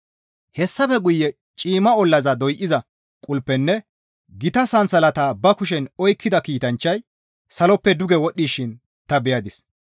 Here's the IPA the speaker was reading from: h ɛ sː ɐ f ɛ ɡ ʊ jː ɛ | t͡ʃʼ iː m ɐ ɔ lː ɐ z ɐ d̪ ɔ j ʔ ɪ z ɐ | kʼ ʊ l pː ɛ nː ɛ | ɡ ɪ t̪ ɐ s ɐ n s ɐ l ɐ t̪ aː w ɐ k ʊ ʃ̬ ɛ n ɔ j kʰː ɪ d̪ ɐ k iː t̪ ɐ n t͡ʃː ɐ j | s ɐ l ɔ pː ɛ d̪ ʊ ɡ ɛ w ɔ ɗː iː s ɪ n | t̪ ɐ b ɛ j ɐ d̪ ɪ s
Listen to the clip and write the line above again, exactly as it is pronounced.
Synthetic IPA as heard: h ɛ sː ɐ f ɛ ɡ ʊ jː ɛ | t͡ʃʼ iː m ɐ ɔ lː ɐ z ɐ d̪ ɔ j ʔ ɪ z ɐ | kʼ ʊ l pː ɛ nː ɛ | ɡ ɪ t̪ ɐ s ɐ n s ɐ l ɐ t̪ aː b ɐ k ʊ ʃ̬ ɛ n ɔ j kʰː ɪ d̪ ɐ k iː t̪ ɐ n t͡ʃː ɐ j | s ɐ l ɔ pː ɛ d̪ ʊ ɡ ɛ w ɔ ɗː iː ʃ ɪ n | t̪ ɐ b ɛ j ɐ d̪ ɪ s